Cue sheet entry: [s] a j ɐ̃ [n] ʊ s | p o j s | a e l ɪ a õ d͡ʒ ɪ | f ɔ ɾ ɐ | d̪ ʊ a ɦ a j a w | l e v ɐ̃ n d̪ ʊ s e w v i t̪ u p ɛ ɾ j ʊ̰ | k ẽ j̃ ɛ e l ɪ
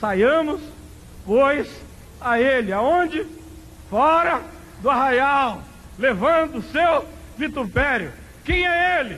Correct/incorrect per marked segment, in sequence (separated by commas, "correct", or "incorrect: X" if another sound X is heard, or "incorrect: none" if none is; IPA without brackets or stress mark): correct, incorrect: m